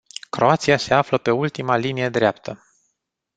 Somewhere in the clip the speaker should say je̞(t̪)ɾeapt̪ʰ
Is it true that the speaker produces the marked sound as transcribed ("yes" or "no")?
no